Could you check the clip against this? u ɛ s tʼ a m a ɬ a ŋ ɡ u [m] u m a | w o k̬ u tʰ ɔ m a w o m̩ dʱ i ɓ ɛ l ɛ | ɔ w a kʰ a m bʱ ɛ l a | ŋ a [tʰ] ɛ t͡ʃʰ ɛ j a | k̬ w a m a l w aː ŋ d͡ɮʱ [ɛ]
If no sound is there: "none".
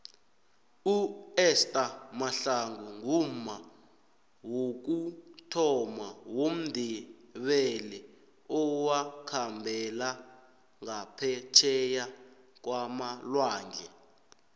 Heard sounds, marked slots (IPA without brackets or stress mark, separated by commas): ŋ, pʰ, ɛ